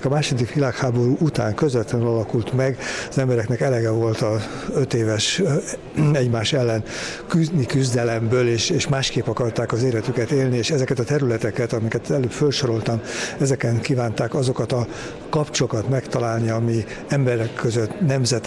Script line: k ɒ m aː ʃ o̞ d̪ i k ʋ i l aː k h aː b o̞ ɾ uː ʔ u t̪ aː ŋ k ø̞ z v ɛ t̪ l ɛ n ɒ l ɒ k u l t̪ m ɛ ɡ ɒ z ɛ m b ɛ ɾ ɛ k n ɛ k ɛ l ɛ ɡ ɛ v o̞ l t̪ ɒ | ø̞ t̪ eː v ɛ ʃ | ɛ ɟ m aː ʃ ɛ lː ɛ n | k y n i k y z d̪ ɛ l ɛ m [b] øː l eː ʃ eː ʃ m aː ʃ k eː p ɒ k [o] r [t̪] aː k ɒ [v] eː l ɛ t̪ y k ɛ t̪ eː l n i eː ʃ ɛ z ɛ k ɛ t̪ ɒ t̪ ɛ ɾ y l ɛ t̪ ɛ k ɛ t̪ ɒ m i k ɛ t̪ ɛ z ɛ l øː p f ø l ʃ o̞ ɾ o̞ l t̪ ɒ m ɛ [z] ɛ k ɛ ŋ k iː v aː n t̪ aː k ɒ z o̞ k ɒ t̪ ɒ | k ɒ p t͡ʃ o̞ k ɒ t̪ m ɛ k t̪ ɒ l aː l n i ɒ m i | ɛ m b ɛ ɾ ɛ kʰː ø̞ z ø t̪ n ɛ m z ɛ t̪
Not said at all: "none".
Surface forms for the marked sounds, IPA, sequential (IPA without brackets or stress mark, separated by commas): b, ɒ, t̪, z, z